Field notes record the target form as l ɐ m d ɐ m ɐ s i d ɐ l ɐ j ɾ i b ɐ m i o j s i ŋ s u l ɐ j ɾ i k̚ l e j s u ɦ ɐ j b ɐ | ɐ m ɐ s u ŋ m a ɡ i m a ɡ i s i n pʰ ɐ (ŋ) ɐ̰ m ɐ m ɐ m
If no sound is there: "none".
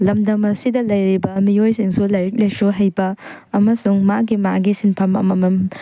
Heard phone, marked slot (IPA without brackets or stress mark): m